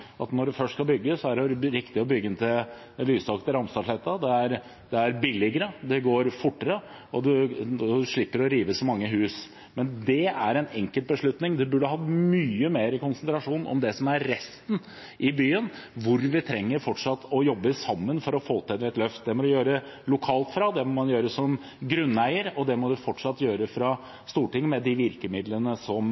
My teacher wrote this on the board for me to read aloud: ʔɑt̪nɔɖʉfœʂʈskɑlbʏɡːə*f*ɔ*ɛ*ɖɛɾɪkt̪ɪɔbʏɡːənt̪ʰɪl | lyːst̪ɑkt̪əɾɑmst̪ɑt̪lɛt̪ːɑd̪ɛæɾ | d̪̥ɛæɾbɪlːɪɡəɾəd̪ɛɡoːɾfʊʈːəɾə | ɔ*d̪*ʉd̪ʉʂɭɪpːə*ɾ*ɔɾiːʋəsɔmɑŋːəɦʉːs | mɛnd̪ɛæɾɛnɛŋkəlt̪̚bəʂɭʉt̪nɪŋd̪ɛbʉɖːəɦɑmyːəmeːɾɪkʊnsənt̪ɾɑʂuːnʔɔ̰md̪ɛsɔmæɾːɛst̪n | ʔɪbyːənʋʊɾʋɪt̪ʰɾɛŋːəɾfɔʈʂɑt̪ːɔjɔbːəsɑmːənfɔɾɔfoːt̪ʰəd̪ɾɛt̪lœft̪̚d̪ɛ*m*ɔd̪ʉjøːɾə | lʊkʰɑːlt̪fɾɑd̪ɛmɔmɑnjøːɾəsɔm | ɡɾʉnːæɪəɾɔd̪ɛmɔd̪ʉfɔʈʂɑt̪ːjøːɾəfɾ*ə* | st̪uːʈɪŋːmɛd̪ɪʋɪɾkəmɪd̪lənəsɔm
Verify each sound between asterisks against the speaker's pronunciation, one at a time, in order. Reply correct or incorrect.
incorrect: s, incorrect: æ, correct, correct, correct, incorrect: ɑ

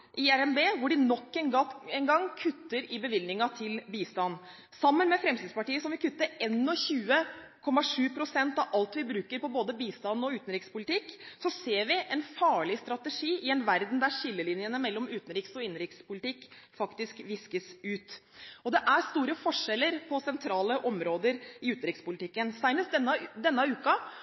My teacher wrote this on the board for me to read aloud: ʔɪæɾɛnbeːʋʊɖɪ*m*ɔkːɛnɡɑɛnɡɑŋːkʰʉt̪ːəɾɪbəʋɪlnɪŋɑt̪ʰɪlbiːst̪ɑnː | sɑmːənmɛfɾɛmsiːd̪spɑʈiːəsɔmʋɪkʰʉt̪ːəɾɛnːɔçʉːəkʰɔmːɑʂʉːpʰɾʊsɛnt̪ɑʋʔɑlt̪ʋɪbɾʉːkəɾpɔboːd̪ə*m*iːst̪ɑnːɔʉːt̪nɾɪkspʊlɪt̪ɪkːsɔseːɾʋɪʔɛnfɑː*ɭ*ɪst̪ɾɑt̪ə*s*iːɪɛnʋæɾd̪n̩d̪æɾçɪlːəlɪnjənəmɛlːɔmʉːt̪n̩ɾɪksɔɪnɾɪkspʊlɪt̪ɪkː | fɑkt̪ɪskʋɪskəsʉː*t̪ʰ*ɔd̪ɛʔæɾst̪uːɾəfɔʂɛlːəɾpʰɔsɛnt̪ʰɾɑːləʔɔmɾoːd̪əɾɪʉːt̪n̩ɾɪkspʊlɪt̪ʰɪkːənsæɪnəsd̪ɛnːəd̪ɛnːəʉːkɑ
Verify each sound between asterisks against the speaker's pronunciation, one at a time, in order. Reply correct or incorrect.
incorrect: n, incorrect: b, correct, incorrect: ʂ, incorrect: t̪

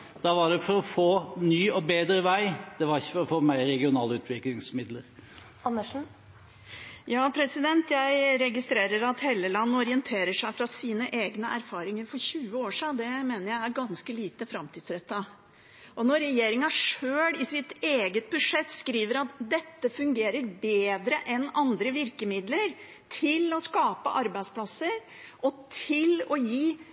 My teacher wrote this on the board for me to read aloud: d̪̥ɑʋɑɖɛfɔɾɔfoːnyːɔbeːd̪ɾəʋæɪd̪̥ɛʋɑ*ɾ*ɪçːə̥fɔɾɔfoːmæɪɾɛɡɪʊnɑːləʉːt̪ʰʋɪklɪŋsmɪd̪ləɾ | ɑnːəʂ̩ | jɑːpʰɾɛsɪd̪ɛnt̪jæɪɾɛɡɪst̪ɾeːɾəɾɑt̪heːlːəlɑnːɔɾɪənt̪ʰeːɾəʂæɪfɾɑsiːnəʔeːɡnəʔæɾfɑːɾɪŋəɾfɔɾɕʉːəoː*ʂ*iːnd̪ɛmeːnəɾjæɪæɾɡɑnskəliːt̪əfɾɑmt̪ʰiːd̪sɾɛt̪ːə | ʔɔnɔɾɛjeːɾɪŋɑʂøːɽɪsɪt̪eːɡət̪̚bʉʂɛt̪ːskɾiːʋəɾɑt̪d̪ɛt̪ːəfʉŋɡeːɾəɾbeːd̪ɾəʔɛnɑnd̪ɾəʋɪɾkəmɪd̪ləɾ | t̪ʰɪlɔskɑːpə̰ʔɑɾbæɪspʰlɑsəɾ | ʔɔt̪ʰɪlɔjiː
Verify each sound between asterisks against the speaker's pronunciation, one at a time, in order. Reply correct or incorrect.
correct, correct

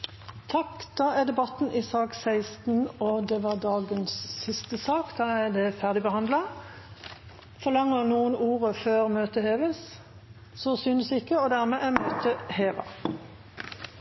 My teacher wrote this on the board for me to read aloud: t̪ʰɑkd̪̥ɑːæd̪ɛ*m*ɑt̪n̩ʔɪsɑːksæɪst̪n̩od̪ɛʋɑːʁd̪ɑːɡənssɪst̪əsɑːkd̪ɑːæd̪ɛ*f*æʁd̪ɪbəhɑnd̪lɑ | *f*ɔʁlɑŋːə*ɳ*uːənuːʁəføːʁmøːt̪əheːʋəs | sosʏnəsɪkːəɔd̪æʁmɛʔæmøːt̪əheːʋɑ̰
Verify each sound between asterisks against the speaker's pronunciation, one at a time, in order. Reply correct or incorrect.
incorrect: b, correct, correct, incorrect: n

